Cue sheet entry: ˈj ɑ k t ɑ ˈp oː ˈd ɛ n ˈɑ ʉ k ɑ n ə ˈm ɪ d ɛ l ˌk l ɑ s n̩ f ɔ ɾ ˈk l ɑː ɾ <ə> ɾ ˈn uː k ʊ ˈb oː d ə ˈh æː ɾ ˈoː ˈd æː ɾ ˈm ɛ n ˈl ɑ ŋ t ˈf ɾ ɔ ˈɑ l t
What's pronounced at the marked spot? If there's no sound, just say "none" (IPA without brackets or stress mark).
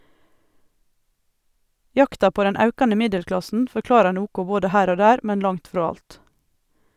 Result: ɑ